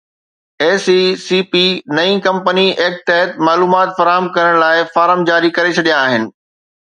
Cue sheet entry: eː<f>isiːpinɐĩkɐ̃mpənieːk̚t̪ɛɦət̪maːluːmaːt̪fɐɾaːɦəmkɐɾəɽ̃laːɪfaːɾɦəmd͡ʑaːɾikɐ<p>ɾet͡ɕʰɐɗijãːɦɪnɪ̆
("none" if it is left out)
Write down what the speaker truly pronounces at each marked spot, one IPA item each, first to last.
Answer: s, none

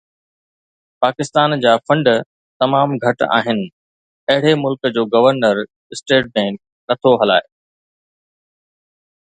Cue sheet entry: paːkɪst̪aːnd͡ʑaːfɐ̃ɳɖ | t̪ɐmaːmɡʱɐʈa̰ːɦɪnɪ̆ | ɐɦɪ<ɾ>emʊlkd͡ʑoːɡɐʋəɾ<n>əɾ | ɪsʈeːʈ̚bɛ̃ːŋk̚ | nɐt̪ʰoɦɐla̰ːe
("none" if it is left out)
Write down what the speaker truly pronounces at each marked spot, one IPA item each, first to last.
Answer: ɽ, n

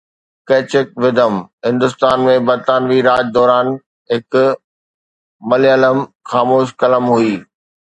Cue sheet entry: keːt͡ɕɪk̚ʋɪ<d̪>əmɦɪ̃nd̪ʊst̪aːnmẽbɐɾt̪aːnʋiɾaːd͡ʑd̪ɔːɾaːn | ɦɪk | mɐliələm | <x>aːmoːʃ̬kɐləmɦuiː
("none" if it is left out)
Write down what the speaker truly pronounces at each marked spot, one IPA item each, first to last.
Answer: d̪, x

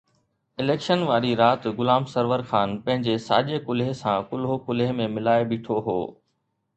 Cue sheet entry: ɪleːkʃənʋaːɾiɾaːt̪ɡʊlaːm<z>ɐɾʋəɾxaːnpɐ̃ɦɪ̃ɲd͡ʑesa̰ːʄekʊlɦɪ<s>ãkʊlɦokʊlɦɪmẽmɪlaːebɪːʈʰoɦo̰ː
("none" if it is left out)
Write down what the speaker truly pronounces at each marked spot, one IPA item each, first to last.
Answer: s, s

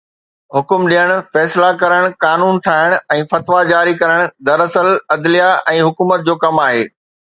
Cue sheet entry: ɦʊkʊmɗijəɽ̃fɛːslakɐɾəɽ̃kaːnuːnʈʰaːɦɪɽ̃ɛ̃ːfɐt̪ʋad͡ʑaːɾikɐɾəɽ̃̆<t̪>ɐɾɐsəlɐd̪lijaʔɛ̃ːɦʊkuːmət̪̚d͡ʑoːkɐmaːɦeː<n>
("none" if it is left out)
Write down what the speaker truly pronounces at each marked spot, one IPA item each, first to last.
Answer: d̪, none

